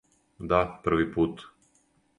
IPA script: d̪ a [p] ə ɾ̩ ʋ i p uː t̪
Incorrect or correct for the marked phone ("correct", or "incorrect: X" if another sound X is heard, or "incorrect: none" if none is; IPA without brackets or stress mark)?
correct